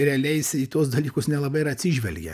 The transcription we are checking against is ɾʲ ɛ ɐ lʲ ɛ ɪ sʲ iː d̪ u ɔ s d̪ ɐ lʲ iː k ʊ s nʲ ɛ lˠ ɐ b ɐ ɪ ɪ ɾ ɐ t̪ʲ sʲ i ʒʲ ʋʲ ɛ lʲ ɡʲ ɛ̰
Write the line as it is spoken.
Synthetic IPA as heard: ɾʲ ɛ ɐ lʲ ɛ ɪ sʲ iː t̪ u ɔ s d̪ ɐ lʲ iː k ʊ s nʲ ɛ lˠ ɐ b ɐ ɪ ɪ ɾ ɐ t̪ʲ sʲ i ʒʲ ʋʲ ɛ lʲ ɡʲ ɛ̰